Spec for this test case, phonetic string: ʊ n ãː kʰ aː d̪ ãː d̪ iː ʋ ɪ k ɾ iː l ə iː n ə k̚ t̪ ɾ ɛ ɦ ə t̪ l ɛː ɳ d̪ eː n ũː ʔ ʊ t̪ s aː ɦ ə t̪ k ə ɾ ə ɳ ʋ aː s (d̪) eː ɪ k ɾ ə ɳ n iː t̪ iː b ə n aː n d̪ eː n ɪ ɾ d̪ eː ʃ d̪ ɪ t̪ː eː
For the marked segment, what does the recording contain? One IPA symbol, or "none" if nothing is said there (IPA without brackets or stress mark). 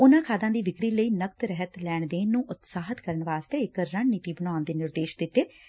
t̪